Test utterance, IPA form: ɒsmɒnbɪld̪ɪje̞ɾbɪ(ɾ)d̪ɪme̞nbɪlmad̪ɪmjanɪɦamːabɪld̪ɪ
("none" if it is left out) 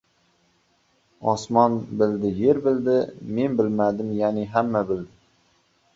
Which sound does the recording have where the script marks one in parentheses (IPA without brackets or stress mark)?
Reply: l